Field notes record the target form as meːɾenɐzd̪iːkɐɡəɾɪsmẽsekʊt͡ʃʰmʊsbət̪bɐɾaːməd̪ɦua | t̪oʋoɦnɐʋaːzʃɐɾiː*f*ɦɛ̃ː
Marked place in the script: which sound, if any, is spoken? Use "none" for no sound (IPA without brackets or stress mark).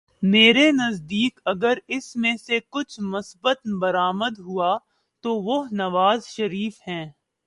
f